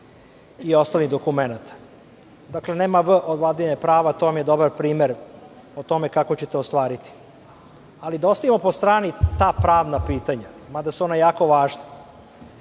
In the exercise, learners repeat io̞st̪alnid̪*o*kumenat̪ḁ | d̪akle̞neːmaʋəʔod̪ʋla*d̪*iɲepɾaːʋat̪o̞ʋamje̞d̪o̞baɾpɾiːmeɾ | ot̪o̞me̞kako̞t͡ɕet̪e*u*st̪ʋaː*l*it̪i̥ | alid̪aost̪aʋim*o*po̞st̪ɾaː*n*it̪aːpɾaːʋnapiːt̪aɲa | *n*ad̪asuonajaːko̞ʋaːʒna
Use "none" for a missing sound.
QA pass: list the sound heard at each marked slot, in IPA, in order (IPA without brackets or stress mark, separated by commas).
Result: o, d̪, o, ɾ, o, n, m